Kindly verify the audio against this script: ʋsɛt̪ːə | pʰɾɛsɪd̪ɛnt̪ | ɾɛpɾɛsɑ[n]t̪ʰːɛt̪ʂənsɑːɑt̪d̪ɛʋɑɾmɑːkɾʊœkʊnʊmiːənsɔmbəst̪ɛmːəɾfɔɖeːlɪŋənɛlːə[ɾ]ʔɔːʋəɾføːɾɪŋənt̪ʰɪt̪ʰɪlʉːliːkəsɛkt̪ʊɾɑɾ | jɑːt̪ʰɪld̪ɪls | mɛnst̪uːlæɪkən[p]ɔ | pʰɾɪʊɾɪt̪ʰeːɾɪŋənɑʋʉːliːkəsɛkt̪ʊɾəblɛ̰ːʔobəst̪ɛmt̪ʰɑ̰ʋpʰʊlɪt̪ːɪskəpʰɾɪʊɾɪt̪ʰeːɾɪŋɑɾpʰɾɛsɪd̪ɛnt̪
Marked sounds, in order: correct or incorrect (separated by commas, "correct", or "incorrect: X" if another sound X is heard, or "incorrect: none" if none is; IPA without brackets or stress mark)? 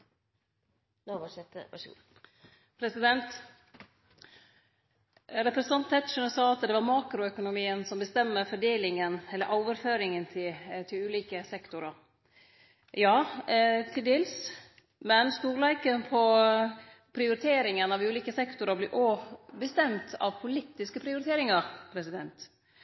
correct, correct, incorrect: pʰ